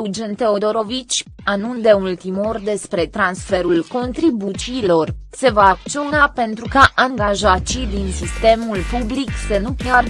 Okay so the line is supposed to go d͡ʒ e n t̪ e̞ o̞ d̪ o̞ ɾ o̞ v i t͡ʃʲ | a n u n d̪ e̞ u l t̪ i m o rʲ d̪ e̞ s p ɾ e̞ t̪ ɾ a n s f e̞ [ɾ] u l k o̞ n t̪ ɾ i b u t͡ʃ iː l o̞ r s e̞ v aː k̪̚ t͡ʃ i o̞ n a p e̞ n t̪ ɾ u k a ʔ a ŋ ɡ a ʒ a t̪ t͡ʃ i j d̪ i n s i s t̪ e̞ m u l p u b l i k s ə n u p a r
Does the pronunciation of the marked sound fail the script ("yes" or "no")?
no